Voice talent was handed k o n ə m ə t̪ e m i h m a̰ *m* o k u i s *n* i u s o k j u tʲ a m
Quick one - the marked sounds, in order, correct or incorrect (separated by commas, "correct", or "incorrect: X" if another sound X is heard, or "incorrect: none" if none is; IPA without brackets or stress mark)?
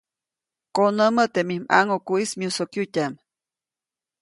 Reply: incorrect: ŋ, incorrect: m